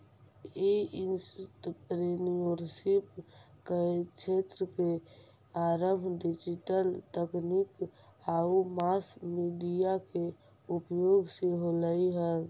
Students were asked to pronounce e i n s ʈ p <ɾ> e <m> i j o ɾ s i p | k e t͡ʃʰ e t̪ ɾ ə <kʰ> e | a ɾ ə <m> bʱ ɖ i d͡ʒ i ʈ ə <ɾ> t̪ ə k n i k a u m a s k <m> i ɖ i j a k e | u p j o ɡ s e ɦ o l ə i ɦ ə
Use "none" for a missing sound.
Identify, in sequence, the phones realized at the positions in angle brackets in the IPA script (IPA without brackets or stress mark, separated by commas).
ɾ, n, k, m, l, m